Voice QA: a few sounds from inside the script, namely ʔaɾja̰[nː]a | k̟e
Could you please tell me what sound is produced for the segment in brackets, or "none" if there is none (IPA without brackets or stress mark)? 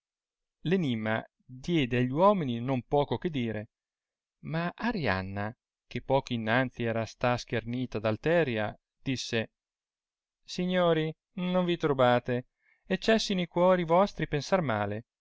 nː